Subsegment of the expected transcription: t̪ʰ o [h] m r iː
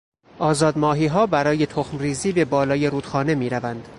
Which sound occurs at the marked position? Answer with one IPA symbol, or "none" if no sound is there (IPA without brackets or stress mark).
x